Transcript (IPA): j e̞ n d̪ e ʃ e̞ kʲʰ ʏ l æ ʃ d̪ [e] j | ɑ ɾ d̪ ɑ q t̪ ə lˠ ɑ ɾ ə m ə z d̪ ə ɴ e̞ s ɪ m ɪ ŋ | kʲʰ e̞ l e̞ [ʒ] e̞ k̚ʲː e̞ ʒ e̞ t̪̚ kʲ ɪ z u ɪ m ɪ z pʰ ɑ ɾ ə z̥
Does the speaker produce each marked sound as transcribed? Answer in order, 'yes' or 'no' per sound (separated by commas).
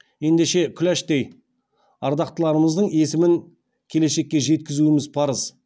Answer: yes, no